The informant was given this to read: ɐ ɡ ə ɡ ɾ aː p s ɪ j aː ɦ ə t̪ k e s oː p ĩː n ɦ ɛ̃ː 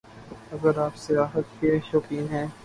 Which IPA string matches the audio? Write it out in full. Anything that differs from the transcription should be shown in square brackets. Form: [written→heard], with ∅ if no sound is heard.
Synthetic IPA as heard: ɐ ɡ ə [ɡ→∅] ɾ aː p s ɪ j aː ɦ ə t̪ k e [s→ʃ] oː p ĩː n ɦ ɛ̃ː